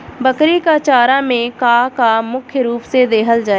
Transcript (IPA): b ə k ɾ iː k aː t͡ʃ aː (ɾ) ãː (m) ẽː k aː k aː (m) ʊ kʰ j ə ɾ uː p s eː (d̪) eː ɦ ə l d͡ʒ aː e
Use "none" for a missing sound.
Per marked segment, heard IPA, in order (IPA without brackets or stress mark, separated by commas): ɾ, m, m, d̪